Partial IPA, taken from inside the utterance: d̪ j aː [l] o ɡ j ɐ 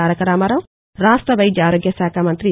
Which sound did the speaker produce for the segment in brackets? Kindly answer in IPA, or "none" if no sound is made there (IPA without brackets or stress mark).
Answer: ɾ